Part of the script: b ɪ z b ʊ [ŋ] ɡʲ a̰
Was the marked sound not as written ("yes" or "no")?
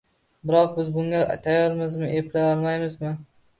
no